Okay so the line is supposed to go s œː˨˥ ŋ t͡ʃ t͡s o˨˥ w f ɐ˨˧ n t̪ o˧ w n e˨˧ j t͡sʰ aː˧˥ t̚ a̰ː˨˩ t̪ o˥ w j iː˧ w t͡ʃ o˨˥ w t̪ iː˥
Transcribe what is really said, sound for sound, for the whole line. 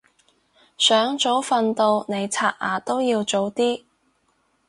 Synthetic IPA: s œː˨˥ ŋ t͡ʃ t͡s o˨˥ w f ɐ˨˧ n t̪ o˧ w n e˨˧ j t͡sʰ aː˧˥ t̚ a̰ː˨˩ t̪ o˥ w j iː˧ w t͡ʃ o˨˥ w t̪ iː˥